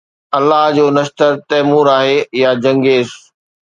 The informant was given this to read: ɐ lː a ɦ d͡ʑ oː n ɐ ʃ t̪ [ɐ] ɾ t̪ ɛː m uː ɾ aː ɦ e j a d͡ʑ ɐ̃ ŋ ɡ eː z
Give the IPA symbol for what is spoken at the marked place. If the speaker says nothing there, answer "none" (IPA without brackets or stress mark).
ə